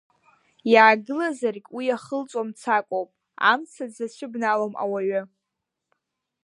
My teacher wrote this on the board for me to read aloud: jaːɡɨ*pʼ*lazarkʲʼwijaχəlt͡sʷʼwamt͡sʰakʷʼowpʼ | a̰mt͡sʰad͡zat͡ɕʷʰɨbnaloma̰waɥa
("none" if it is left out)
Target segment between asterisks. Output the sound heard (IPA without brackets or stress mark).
none